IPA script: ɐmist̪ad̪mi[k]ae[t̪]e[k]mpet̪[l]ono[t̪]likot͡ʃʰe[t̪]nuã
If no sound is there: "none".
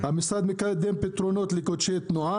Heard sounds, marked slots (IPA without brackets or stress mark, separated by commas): k, d̪, none, ɾ, t̪, t̪